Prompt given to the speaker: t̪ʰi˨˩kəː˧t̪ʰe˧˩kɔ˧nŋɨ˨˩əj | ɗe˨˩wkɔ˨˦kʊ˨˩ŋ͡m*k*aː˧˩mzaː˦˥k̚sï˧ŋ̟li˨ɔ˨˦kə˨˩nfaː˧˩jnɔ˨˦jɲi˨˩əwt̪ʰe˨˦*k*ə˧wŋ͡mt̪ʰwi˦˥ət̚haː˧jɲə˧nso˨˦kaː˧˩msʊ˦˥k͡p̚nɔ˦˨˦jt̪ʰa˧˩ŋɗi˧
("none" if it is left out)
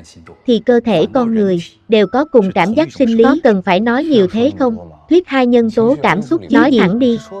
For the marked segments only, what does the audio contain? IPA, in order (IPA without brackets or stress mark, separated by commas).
k, x